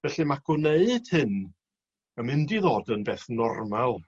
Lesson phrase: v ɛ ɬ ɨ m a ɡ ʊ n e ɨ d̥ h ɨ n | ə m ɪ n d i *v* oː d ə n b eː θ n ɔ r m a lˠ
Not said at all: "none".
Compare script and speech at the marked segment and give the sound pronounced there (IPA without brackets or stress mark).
ð